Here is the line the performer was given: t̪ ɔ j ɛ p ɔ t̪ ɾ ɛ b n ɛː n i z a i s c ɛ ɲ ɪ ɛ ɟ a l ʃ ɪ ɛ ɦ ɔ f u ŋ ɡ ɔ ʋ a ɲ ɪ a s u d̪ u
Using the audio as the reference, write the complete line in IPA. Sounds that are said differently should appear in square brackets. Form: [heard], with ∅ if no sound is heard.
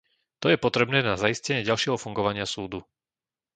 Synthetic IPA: t̪ ɔ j ɛ p ɔ t̪ ɾ ɛ b n ɛː n [a] z a i s c ɛ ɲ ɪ ɛ ɟ a l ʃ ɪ ɛ ɦ ɔ f u ŋ ɡ ɔ ʋ a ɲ ɪ a s [uː] d̪ u